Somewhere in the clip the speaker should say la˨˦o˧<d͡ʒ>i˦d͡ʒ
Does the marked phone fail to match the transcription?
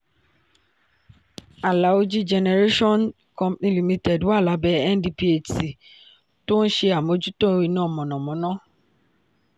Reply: no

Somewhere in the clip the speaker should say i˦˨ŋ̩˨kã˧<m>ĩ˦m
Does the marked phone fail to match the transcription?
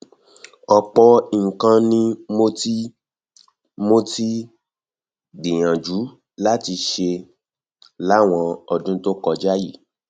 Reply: yes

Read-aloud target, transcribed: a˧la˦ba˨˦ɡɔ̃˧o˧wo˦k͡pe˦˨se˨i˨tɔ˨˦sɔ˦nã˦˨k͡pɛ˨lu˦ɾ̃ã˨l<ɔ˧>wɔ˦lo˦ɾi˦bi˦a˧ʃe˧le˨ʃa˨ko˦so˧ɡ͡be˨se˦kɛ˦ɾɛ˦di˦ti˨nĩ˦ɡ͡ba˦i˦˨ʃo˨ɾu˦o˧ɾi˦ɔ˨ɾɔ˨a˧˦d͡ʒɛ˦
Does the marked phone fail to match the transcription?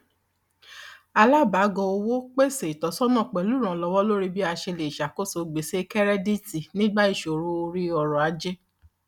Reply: no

